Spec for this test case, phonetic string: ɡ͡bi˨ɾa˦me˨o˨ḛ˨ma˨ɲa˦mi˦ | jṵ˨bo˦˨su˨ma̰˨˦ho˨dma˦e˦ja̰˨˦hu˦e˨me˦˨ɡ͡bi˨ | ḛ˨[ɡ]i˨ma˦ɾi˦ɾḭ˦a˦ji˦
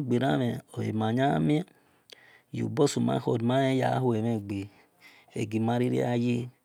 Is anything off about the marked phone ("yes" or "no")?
no